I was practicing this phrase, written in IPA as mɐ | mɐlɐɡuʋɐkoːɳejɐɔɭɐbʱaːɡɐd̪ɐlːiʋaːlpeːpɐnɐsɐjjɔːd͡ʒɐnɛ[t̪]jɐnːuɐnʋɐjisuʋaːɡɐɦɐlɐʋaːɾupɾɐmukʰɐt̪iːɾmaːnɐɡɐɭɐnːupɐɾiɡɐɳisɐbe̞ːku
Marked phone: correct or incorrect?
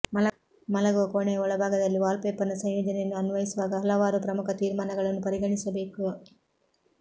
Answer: incorrect